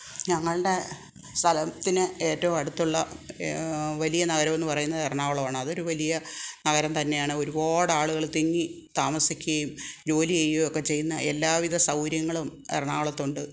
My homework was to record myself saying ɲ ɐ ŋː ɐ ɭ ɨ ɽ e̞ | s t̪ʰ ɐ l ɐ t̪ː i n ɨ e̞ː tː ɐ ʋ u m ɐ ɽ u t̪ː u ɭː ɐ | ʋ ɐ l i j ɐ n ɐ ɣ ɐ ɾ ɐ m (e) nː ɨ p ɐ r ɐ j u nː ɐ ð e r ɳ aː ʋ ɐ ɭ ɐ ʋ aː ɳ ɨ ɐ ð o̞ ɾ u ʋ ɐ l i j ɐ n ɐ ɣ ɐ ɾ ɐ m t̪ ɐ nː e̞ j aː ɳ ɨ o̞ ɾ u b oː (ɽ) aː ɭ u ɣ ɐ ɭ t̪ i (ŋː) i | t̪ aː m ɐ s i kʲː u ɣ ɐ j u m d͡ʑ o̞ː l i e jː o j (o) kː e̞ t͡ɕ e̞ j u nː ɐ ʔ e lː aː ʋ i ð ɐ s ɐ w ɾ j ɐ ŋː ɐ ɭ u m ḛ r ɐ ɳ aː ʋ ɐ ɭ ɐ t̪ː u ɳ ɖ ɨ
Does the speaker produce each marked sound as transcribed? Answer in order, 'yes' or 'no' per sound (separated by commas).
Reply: yes, yes, yes, yes